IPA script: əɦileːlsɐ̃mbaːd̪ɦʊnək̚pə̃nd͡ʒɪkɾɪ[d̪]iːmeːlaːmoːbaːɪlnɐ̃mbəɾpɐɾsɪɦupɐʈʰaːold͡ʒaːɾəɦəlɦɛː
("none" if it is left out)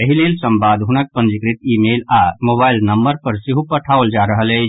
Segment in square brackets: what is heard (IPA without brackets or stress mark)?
t̪